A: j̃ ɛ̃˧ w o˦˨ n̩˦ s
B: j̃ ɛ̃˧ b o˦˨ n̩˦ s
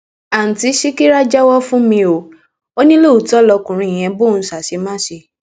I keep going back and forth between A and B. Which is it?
B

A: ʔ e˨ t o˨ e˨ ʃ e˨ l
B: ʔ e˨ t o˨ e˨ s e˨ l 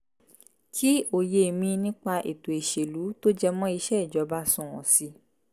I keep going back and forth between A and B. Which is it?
A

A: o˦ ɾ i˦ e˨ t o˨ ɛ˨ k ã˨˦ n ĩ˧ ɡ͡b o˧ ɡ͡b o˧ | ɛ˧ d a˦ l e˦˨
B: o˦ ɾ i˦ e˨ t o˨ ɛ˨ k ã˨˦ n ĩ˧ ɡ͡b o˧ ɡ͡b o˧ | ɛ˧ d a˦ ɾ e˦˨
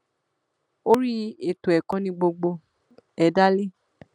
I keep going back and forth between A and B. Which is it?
A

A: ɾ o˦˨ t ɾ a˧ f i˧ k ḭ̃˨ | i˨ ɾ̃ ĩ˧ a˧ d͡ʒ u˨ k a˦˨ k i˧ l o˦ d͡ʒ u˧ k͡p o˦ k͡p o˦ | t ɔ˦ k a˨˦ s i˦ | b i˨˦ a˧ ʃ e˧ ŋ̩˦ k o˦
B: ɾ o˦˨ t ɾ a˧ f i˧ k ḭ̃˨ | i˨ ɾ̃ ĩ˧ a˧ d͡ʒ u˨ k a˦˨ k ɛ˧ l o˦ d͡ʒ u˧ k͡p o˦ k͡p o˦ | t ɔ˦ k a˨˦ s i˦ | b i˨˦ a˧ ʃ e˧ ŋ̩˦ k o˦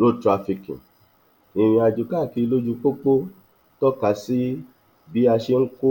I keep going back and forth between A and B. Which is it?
A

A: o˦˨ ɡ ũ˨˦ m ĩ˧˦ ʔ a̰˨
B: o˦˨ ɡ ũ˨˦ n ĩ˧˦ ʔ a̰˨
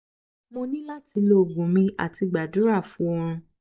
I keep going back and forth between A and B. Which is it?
A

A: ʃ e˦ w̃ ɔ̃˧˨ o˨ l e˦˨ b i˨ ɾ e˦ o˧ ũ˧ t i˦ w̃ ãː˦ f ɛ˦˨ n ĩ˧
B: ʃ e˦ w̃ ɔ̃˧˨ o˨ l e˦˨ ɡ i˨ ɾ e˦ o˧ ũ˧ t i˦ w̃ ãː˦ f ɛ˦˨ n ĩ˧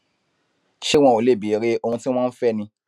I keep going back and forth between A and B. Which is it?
A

